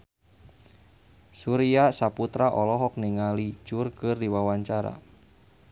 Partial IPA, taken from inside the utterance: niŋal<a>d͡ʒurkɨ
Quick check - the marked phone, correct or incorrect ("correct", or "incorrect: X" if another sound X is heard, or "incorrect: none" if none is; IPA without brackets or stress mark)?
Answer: incorrect: i